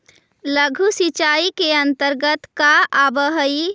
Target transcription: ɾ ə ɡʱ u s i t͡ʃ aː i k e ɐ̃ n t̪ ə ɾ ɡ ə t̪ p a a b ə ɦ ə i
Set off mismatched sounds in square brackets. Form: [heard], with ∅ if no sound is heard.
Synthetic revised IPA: [l] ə ɡʱ u s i t͡ʃ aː i k e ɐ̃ n t̪ ə ɾ ɡ ə t̪ [k] a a b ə ɦ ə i